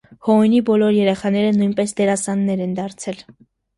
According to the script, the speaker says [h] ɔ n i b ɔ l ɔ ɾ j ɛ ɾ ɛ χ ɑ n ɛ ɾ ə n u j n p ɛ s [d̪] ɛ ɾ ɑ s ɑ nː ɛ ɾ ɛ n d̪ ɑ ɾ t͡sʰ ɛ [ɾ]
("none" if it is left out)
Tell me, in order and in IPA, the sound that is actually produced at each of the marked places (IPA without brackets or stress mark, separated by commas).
h, d̪, l